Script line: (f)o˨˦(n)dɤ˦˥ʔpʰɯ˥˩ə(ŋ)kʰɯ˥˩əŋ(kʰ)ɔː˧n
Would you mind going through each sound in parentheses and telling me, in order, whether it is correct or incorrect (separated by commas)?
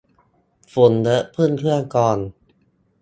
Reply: correct, correct, incorrect, incorrect